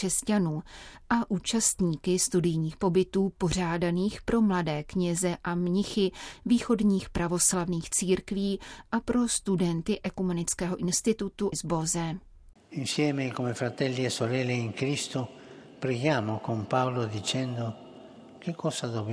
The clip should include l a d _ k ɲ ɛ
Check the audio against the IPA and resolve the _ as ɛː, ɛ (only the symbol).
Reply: ɛː